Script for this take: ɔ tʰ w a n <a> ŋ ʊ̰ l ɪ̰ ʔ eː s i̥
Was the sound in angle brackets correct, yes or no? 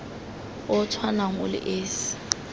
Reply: yes